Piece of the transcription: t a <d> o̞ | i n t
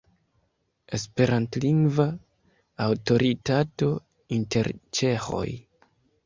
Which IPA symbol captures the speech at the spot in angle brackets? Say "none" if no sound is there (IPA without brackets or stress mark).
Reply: t